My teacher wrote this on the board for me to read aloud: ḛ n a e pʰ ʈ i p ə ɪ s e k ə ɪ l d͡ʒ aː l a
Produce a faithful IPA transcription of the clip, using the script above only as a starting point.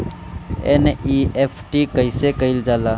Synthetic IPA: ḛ n i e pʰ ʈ i k ə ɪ s e k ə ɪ l d͡ʒ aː l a